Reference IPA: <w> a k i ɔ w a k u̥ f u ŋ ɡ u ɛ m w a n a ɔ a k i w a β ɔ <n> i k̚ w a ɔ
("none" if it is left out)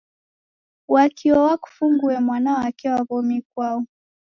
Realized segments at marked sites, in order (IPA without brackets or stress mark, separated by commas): w, m